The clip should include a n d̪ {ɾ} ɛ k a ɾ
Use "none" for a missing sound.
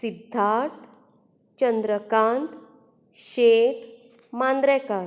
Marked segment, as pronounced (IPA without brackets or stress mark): ɾ